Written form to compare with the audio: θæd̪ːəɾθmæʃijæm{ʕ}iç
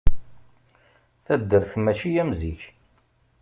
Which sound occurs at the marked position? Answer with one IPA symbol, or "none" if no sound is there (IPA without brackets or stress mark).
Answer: z